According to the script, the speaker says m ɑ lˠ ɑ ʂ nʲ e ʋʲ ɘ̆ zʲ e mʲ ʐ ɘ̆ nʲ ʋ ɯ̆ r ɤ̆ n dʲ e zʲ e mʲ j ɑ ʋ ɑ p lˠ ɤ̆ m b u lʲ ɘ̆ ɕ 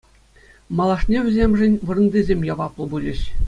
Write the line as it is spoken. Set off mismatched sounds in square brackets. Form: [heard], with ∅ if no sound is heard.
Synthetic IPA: m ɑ lˠ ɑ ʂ nʲ e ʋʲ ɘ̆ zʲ e mʲ ʐ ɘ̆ nʲ ʋ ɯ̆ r ɤ̆ n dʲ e zʲ e mʲ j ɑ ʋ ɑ p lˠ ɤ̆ [∅] b u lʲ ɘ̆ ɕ